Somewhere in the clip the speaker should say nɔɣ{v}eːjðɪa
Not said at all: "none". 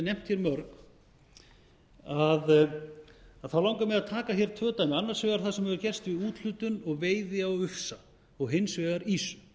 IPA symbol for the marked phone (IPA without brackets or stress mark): v